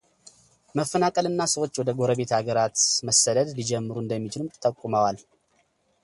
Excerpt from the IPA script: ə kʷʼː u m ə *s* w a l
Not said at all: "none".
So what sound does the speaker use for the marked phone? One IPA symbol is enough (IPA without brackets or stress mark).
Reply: none